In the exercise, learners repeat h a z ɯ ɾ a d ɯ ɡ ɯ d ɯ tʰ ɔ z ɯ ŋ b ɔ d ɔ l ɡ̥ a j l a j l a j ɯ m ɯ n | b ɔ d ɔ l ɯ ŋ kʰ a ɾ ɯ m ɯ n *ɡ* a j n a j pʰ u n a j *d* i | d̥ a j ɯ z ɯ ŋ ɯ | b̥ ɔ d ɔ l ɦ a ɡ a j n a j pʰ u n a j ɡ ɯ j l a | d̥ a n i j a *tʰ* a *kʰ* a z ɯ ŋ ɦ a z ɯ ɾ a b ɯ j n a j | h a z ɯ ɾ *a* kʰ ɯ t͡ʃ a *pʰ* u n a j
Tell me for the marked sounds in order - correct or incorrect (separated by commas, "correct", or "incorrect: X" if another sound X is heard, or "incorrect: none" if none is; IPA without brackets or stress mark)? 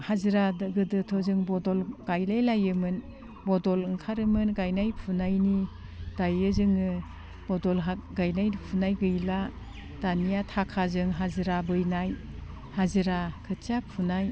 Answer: correct, incorrect: n, correct, correct, correct, correct